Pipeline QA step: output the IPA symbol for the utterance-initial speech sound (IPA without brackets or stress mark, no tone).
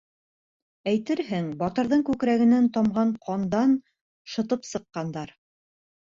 æ